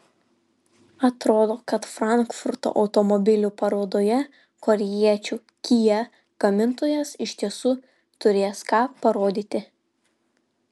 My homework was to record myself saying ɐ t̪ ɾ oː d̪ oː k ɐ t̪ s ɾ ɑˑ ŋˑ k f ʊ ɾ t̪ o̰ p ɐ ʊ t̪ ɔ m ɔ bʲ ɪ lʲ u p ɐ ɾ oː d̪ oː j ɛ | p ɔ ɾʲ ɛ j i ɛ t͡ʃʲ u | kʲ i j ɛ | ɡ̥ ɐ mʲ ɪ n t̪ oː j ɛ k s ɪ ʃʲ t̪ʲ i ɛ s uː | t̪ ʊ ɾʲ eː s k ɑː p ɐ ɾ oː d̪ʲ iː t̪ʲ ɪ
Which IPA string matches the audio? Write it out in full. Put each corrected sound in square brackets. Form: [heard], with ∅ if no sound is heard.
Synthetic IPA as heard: ɐ t̪ ɾ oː d̪ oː k ɐ t̪ [f] ɾ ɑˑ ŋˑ k f ʊ ɾ t̪ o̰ [ʔ] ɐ ʊ t̪ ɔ m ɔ bʲ ɪ lʲ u p ɐ ɾ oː d̪ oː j ɛ | [k] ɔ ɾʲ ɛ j i ɛ t͡ʃʲ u | kʲ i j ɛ | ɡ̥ ɐ mʲ ɪ n t̪ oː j ɛ [∅] s ɪ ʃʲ t̪ʲ i ɛ s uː | t̪ ʊ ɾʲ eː s k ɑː p ɐ ɾ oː d̪ʲ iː t̪ʲ ɪ